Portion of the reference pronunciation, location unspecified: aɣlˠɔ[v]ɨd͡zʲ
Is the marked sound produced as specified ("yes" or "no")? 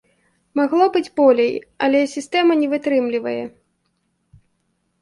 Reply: no